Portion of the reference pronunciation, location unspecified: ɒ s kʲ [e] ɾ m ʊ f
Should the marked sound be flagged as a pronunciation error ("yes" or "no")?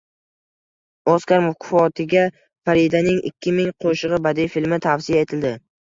yes